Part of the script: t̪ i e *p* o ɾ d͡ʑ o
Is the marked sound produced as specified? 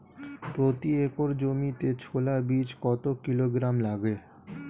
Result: no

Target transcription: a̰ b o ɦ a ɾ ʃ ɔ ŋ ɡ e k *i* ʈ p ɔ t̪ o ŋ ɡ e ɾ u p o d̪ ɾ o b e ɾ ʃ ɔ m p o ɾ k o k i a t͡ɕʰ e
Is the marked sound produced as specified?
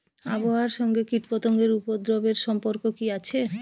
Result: yes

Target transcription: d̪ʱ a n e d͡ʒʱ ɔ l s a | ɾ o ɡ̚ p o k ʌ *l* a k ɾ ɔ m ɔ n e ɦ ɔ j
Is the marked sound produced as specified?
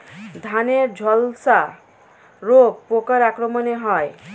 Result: no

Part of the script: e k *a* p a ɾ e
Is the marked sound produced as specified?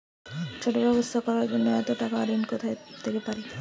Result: no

